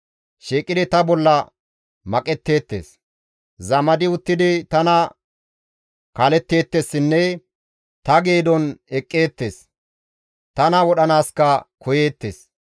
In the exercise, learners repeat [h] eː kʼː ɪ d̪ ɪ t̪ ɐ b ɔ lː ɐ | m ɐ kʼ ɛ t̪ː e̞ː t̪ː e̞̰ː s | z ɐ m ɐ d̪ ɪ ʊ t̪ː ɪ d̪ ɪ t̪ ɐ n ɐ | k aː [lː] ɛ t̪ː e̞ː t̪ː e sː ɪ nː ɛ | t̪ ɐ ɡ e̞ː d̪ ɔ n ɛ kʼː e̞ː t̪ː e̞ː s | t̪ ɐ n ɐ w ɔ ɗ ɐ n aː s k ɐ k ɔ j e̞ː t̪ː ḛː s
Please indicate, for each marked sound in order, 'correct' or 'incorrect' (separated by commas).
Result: incorrect, incorrect